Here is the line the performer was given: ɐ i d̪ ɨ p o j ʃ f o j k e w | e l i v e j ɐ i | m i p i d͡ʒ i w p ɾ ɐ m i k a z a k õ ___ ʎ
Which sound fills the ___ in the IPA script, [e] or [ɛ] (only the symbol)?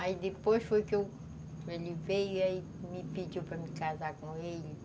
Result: e